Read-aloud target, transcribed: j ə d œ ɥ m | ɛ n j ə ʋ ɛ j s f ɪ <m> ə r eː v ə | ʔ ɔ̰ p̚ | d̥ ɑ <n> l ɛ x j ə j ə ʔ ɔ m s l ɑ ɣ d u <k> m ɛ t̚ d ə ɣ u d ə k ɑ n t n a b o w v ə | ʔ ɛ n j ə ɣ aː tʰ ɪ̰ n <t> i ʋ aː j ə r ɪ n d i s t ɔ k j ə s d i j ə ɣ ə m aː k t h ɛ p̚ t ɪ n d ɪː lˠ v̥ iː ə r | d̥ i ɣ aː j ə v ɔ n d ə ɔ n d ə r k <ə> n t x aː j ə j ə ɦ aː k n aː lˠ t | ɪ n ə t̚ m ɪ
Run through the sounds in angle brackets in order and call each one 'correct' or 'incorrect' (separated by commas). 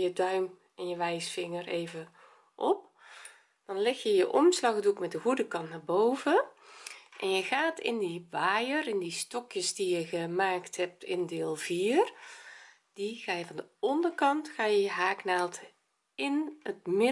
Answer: incorrect, correct, correct, incorrect, incorrect